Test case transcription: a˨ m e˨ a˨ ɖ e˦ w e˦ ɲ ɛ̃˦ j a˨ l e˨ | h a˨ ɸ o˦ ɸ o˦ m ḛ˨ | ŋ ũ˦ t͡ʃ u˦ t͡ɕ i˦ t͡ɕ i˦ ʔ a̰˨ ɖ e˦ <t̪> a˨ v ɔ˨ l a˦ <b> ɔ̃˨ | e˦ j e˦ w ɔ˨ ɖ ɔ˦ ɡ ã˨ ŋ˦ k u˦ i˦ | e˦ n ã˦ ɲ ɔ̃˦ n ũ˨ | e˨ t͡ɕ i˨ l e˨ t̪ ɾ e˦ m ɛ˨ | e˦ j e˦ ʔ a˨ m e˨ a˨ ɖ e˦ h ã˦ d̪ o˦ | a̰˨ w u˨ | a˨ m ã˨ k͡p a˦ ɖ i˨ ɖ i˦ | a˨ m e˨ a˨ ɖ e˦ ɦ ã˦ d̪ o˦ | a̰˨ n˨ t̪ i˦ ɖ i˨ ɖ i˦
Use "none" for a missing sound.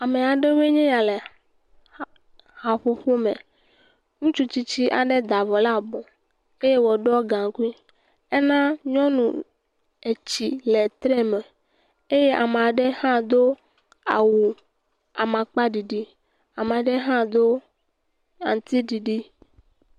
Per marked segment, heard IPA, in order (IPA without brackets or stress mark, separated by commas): d̪, b